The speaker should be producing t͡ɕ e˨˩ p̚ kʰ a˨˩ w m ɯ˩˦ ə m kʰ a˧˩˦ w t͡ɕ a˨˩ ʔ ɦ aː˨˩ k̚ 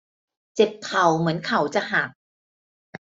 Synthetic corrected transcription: t͡ɕ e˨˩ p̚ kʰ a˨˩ w m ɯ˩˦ ə n kʰ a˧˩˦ w t͡ɕ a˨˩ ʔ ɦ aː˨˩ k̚